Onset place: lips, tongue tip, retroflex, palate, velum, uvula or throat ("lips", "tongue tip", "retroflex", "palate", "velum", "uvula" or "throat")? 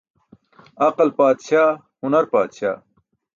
uvula